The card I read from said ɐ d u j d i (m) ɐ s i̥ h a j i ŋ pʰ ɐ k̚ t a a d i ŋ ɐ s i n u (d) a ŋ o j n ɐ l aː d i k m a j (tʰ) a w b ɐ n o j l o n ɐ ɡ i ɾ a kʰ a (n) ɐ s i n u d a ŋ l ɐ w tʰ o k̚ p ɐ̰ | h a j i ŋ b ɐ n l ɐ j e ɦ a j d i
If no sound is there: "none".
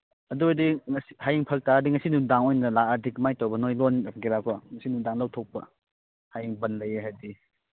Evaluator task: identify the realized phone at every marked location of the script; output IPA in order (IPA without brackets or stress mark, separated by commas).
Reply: ŋ, d, t, ŋ